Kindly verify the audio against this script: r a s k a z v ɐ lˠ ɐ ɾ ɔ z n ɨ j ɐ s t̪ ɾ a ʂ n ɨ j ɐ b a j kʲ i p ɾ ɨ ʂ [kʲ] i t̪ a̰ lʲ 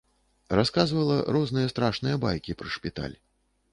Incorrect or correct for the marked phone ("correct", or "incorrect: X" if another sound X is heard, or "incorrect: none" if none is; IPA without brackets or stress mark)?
incorrect: pʲ